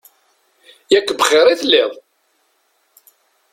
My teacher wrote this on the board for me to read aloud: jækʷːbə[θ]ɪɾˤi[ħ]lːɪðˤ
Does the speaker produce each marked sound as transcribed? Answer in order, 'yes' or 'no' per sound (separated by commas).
no, no